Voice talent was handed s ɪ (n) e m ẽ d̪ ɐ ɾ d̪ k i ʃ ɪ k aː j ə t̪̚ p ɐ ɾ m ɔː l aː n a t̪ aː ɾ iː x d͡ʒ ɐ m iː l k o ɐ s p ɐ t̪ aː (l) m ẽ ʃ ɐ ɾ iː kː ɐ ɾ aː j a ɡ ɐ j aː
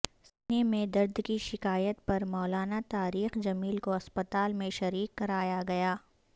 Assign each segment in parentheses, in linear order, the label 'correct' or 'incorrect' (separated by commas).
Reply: correct, correct